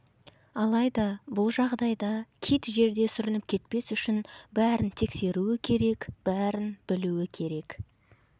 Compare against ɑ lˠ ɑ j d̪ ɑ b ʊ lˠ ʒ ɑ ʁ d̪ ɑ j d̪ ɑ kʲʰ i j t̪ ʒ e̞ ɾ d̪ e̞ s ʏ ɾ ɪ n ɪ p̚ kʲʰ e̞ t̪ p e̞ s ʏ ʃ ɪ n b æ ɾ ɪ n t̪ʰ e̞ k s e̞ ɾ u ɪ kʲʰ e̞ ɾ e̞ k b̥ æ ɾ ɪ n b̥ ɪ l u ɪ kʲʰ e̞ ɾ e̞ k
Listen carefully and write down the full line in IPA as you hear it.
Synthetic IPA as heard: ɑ lˠ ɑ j d̪ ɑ b ʊ lˠ ʒ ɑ ʁ d̪ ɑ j d̪ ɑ kʲʰ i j t̪ ʒ e̞ ɾ d̪ e̞ s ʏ ɾ ɪ n ɪ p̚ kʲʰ e̞ t̪ p e̞ s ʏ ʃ ɪ n b æ ɾ ɪ n t̪ʰ e̞ k s e̞ ɾ u ɪ kʲʰ e̞ ɾ e̞ k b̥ æ ɾ ɪ n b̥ ɪ l u ɪ kʲʰ e̞ ɾ e̞ k